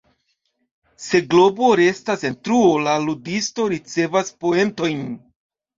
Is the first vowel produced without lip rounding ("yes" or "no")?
yes